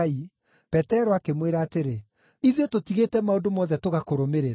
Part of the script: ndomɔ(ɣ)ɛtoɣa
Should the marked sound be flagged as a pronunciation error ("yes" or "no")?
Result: yes